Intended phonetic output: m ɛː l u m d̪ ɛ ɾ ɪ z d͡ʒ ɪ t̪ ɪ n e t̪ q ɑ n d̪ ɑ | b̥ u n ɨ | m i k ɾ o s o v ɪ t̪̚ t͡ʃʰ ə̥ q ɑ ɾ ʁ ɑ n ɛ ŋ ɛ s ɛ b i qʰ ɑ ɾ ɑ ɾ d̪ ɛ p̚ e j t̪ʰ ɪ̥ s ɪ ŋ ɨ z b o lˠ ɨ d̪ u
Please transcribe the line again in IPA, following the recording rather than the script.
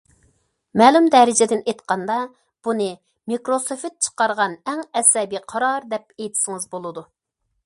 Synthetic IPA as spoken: m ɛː l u m d̪ ɛ ɾ ɪ d͡ʒ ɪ d̪ ɪ n e t̪ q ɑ n d̪ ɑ | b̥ u n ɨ | m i k ɾ o s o f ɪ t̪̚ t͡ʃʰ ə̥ q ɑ ɾ ʁ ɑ n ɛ ŋ ɛ s ɛ b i qʰ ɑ ɾ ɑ ɾ d̪ ɛ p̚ e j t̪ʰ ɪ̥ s ɪ ŋ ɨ z b o lˠ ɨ d̪ u